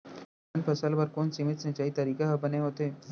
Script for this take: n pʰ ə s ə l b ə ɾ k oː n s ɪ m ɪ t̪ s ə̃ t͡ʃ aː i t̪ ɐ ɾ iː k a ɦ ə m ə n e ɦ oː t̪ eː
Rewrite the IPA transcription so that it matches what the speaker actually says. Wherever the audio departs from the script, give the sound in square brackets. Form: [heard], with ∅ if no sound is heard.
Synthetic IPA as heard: n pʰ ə s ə l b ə ɾ k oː n s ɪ m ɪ t̪ s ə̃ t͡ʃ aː i t̪ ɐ ɾ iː k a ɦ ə [b] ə n e ɦ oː t̪ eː